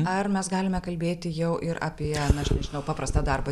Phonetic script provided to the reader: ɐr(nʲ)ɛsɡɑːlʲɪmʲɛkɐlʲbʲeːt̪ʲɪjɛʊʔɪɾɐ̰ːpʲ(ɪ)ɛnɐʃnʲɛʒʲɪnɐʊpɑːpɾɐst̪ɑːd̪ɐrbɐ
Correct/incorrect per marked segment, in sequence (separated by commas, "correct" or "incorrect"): incorrect, incorrect